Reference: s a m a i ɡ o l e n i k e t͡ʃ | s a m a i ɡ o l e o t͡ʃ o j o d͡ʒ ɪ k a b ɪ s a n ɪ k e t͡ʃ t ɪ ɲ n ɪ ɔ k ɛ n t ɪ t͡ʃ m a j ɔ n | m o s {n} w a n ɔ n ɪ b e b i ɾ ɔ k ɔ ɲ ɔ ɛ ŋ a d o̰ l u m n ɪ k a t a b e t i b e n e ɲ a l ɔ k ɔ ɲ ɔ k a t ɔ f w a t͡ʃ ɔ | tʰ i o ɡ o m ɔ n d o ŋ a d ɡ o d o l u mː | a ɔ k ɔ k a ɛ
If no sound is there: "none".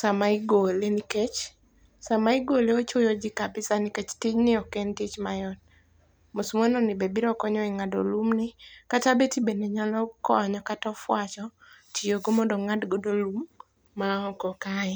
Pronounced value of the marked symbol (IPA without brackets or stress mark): m